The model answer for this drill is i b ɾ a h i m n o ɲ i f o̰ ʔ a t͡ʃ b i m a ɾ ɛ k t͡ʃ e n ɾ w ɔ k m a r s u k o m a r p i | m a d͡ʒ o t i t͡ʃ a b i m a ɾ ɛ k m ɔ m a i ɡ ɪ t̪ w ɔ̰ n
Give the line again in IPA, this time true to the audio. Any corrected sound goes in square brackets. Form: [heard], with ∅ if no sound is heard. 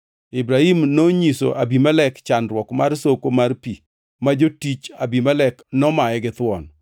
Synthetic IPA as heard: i b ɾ a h i m n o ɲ i [s] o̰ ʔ a [∅] b i m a [l] ɛ k t͡ʃ [a] n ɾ w ɔ k m a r s [o] k o m a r p i | m a d͡ʒ o t i t͡ʃ a b i m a [l] ɛ k [n] ɔ m a [ɛ] ɡ ɪ t̪ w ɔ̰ n

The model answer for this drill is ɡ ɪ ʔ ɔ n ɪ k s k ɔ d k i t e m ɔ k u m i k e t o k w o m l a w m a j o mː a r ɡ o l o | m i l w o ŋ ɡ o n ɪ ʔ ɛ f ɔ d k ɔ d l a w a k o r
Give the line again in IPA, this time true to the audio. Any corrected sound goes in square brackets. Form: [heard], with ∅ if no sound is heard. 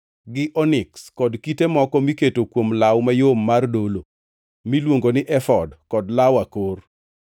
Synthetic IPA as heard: ɡ ɪ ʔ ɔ n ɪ k s k ɔ d k i t e m ɔ k [ɔ] m i k e t o k w o m l a w m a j o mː a r [d] o l o | m i l w o ŋ ɡ o n ɪ ʔ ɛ f ɔ d k ɔ d l a w a k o r

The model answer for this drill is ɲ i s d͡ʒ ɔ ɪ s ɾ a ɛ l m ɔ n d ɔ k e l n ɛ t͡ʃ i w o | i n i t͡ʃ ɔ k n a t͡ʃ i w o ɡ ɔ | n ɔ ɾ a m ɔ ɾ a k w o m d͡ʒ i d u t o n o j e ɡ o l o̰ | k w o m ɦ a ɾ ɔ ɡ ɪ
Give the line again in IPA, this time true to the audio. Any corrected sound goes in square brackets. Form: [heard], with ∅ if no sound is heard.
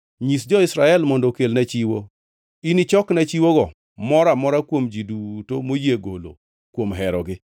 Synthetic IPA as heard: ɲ i s d͡ʒ ɔ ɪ s ɾ a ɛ l m ɔ n d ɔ k e l n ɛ t͡ʃ i w o | i n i t͡ʃ ɔ k n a t͡ʃ i w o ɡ ɔ | [m] ɔ ɾ a m ɔ ɾ a k w o m d͡ʒ i d u t o [m] o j e ɡ o l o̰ | k w o m ɦ [ɛ] ɾ ɔ ɡ ɪ

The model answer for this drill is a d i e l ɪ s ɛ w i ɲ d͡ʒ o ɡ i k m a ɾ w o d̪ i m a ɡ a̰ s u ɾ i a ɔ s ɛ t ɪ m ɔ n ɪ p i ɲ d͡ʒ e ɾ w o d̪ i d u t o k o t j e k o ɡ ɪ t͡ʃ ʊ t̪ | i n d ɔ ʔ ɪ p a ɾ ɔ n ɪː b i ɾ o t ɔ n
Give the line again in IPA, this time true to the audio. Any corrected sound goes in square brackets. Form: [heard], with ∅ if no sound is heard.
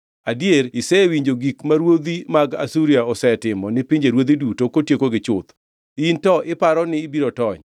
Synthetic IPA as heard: a d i e [ɾ] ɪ s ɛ w i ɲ d͡ʒ o ɡ i k m a ɾ w o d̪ i m a ɡ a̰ s u ɾ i a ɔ s ɛ t ɪ m ɔ n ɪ p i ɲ d͡ʒ e ɾ w o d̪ i d u t o k o t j e k o ɡ ɪ t͡ʃ ʊ t̪ | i n [t] ɔ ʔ ɪ p a ɾ ɔ n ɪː b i ɾ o t ɔ [ɲ]

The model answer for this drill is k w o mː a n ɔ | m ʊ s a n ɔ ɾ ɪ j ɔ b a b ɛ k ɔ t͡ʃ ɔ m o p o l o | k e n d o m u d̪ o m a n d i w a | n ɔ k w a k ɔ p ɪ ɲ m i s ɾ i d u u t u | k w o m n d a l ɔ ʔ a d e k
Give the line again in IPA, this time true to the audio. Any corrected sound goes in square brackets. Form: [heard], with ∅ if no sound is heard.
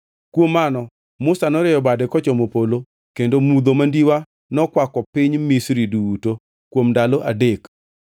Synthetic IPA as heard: k w o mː a n ɔ | m ʊ s a n ɔ ɾ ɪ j ɔ b a [d] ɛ k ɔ t͡ʃ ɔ m o p o l o | k e n d o m u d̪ o m a n d i w a | n ɔ k w a k ɔ p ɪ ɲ m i s ɾ i d u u t [o] | k w o m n d a l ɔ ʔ a d e k

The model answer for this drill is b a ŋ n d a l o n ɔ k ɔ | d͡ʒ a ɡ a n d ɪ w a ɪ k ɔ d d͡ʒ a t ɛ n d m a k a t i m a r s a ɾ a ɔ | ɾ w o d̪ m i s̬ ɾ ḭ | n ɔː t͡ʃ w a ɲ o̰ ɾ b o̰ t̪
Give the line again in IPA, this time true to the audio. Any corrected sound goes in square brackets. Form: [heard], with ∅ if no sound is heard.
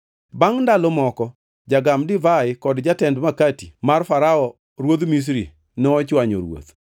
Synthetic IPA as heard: b a ŋ n d a l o [m] ɔ k ɔ | d͡ʒ a ɡ a [m] d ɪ [v] a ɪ k ɔ d d͡ʒ a t ɛ n d m a k a t i m a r [f] a ɾ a ɔ | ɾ w o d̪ m i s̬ ɾ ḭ | n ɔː t͡ʃ w a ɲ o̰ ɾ [w] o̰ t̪

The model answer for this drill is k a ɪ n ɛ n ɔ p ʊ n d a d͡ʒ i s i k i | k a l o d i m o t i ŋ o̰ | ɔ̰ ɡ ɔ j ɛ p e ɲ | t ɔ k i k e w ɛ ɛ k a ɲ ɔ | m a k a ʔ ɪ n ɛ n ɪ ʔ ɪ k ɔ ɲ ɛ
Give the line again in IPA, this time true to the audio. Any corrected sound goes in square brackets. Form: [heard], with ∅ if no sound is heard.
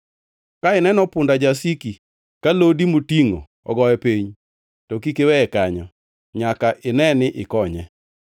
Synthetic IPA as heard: k a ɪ n ɛ n ɔ p ʊ n d a d͡ʒ [a] s i k i | k a l o d i m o t i ŋ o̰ | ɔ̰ ɡ ɔ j ɛ p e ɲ | t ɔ k i k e w ɛ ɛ k a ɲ ɔ | [ɲ] a k a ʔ ɪ n ɛ n ɪ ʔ ɪ k ɔ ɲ ɛ

